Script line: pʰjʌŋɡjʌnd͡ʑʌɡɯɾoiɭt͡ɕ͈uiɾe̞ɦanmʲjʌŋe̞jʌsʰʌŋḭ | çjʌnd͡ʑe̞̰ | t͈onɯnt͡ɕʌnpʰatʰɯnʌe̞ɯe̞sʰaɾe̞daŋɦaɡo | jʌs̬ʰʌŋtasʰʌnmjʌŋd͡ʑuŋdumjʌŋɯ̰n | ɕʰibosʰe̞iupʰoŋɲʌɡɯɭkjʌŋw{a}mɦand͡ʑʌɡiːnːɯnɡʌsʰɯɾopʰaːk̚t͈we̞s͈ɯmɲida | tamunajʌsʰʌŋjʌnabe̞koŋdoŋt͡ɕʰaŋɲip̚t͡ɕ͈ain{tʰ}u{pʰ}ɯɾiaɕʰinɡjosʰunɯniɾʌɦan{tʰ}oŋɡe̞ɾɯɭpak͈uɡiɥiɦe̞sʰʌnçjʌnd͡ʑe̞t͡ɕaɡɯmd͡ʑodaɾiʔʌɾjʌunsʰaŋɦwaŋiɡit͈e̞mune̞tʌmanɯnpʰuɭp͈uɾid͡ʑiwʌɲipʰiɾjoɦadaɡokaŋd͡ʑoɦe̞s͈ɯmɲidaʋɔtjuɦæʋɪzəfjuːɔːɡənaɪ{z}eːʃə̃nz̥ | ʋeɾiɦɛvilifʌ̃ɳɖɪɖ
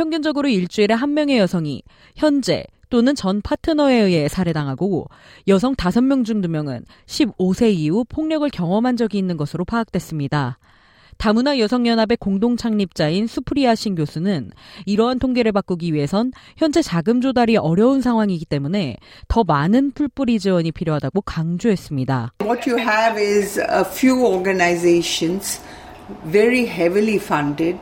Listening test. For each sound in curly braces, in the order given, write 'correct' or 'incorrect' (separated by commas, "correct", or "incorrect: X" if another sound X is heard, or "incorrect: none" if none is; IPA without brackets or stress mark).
incorrect: ʌ, incorrect: sʰ, correct, correct, correct